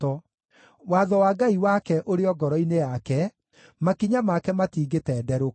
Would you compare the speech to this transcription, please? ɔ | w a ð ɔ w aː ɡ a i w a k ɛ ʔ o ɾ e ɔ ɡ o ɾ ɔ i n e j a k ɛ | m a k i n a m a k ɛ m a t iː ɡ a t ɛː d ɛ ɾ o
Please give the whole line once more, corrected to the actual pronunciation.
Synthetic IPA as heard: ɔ | w a ð ɔ w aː ɡ a i w a k ɛ ʔ o ɾ e ɔ ɡ ɔ ɾ ɔ i n e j a k ɛ | m a k i ɲ a m a k ɛ m a t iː ɡ e t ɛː d ɛ ɾ o